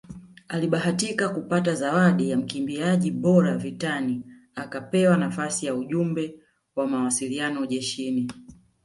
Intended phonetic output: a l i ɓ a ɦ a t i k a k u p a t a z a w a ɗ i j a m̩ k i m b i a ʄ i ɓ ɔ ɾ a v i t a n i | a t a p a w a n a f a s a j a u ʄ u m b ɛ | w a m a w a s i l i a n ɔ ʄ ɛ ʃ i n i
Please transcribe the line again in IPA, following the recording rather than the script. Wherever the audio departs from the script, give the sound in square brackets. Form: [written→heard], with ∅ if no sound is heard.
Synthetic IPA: a l i ɓ a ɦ a t i k a k u p a t a z a w a ɗ i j a m̩ k i m b i a ʄ i ɓ ɔ ɾ a v i t a n i | a [t→k] a p [a→ɛ] w a n a f a s [a→i] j a u ʄ u m b ɛ | w a m a w a s i l i a n ɔ ʄ ɛ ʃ i n i